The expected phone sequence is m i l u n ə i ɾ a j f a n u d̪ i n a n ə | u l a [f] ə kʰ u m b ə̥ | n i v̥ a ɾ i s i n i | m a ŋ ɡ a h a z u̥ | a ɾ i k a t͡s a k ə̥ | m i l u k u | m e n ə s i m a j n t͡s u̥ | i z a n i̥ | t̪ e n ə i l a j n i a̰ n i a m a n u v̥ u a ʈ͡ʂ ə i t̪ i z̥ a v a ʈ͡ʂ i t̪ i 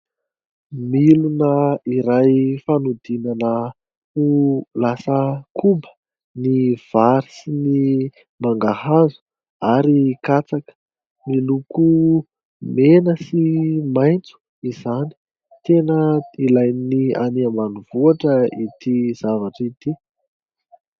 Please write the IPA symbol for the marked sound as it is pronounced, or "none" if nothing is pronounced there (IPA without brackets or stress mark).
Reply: s